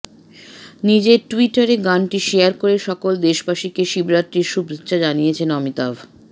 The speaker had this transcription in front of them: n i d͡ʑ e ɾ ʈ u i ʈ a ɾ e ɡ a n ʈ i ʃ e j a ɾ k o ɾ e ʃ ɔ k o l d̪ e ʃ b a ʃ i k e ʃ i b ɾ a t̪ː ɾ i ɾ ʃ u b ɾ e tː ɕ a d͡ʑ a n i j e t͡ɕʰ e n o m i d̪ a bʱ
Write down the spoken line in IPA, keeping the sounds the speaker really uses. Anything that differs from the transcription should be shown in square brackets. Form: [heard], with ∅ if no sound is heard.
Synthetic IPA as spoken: n i d͡ʑ e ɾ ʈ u i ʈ a ɾ e ɡ a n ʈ i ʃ e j a ɾ k o ɾ e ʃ ɔ k o l d̪ e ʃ b a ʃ i k e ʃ i b ɾ a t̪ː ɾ i ɾ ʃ u b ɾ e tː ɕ a d͡ʑ a n i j e t͡ɕʰ e n [ɔ] m i [t̪] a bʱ